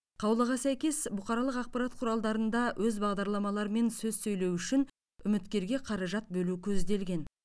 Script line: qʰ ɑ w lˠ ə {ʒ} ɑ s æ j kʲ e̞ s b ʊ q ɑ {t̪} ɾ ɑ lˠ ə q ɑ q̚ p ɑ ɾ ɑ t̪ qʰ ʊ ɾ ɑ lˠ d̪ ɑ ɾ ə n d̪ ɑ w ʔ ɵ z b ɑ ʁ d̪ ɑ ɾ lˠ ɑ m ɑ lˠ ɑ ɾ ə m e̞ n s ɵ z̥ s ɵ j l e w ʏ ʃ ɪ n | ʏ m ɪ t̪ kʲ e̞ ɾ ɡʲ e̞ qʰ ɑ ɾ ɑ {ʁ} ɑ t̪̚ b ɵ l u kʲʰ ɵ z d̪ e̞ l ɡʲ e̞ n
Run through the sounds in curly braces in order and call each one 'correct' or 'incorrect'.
incorrect, incorrect, incorrect

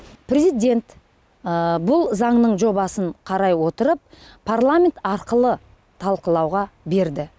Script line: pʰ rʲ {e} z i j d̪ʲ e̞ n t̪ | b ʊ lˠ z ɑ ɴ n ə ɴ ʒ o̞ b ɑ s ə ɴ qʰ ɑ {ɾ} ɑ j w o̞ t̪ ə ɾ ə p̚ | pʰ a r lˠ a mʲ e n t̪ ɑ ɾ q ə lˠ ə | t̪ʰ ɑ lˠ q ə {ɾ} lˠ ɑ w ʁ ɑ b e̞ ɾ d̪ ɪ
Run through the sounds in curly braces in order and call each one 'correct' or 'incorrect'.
correct, correct, incorrect

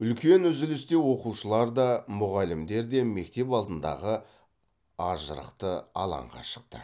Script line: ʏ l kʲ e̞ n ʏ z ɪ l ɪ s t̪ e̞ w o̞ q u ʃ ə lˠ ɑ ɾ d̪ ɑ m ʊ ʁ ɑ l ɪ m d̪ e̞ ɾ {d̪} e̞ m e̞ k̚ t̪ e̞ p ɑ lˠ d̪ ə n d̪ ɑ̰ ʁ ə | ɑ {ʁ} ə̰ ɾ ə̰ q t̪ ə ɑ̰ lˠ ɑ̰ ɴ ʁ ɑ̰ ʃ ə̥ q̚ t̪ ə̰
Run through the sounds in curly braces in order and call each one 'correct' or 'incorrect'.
correct, incorrect

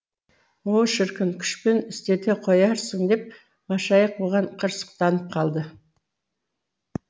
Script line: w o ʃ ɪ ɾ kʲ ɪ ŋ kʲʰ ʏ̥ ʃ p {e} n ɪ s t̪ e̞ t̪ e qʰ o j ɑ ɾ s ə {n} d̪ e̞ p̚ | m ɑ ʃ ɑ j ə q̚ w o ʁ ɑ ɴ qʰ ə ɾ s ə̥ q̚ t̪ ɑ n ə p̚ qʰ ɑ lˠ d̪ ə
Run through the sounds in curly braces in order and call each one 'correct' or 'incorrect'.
correct, incorrect

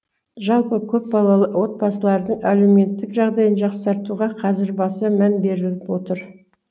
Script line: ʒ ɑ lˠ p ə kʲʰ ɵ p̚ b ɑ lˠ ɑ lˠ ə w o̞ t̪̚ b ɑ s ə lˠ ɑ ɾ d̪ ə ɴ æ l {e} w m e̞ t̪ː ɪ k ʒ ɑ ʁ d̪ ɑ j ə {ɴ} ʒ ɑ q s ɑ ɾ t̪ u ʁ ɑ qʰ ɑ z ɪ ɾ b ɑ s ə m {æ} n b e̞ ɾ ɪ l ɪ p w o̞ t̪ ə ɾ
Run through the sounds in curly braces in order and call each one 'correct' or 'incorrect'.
correct, incorrect, correct

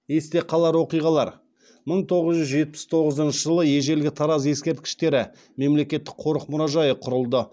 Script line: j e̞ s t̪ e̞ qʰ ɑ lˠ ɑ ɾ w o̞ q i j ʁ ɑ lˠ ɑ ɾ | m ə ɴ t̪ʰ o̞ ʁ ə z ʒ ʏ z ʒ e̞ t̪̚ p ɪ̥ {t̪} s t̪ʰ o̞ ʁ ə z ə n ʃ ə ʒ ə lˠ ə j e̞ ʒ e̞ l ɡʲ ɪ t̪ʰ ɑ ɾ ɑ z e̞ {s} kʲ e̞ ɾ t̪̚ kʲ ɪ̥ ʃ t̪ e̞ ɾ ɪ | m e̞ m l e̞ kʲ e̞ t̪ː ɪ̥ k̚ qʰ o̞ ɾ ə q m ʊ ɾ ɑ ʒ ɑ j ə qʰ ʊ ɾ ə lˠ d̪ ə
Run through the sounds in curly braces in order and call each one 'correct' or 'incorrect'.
incorrect, correct

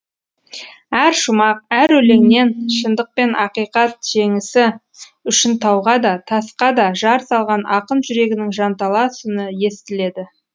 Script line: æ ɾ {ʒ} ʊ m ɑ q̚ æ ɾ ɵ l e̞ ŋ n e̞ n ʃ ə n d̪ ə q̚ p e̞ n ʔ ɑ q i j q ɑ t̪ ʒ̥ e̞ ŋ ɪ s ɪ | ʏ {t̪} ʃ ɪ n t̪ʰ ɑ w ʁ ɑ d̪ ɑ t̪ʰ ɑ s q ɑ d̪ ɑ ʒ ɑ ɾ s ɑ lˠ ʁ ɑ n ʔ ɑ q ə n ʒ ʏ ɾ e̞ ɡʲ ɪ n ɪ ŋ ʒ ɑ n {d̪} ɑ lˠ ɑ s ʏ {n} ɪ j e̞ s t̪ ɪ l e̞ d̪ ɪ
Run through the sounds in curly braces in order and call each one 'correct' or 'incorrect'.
incorrect, incorrect, incorrect, correct

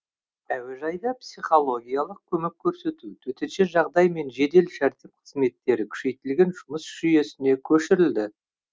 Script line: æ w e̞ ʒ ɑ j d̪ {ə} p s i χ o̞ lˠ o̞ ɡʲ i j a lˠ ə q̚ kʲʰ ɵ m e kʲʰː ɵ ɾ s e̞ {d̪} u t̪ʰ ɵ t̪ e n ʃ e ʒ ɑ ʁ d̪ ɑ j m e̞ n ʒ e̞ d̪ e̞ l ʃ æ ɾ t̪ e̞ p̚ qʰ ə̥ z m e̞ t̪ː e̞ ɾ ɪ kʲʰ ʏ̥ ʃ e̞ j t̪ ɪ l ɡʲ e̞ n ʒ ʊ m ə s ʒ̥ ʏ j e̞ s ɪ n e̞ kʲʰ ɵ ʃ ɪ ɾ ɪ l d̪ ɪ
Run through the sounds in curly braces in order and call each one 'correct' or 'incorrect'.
incorrect, incorrect

